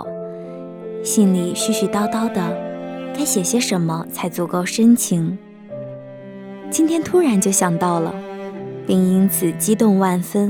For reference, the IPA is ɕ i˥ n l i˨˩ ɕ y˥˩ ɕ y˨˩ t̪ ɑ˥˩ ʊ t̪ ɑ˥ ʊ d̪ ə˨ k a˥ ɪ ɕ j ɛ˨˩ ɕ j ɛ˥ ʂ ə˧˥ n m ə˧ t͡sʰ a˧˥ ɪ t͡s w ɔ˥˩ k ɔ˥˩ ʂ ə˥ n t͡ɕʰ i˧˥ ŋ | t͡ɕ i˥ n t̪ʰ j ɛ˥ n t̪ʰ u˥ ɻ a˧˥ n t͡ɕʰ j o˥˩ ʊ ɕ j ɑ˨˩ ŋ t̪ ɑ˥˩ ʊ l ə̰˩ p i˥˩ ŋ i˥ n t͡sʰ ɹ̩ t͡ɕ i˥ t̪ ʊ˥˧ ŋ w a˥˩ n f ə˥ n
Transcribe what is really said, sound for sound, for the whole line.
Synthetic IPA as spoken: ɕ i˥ n l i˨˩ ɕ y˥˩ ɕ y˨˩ t̪ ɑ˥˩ ʊ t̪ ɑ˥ ʊ d̪ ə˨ k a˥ ɪ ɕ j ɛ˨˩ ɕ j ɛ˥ ʂ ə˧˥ n m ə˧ t͡sʰ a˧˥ ɪ t͡s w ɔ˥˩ k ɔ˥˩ ʂ ə˥ n t͡ɕʰ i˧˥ ŋ | t͡ɕ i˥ n t̪ʰ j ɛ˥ n t̪ʰ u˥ ɻ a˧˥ n t͡ɕ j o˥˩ ʊ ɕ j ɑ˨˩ ŋ t̪ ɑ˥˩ ʊ l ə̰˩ p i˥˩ ŋ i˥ n t͡sʰ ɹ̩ t͡ɕ i˥ t̪ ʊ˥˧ ŋ w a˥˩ n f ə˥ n